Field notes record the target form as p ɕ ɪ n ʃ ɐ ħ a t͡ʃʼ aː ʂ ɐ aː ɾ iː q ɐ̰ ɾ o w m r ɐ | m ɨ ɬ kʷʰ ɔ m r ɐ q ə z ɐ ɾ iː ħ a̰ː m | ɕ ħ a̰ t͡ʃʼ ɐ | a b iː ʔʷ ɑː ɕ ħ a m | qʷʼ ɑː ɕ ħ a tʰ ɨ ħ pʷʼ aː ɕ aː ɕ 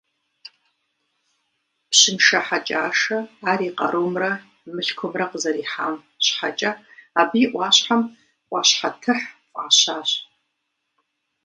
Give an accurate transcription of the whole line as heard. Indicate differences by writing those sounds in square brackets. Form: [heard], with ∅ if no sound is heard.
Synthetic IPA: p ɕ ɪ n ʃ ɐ ħ a t͡ʃʼ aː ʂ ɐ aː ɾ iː q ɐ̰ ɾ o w m r ɐ | m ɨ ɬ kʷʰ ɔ m r ɐ q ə z ɐ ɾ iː ħ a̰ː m | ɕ ħ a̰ t͡ʃʼ ɐ | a b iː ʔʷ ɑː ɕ ħ a m | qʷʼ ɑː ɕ ħ a tʰ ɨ ħ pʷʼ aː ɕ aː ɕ